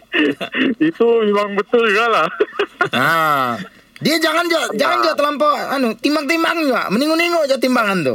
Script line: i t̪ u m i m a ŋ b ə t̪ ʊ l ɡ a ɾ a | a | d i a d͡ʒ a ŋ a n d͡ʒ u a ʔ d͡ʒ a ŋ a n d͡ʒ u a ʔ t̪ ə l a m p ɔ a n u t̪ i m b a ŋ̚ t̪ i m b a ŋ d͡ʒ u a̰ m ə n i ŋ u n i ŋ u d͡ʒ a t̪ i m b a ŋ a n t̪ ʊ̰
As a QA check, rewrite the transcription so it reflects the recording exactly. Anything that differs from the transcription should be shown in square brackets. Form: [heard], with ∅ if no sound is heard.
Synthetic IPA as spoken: i t̪ u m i m a ŋ b ə t̪ ʊ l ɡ a [l] a | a | d i a d͡ʒ a ŋ a n d͡ʒ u a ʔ d͡ʒ a ŋ a n d͡ʒ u a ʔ t̪ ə l a m p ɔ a n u t̪ i m b a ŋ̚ t̪ i m b a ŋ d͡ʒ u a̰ m ə n i ŋ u n i ŋ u d͡ʒ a t̪ i m b a ŋ a n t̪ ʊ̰